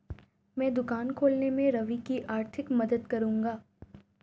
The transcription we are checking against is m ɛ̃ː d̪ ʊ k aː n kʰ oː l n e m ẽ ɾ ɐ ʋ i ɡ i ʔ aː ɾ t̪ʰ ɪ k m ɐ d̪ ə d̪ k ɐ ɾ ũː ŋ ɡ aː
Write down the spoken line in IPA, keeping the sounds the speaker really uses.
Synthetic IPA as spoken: m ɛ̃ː d̪ ʊ k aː n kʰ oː l n e m ẽ ɾ ɐ ʋ i k i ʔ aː ɾ t̪ʰ ɪ k m ɐ d̪ ə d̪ k ɐ ɾ ũː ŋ ɡ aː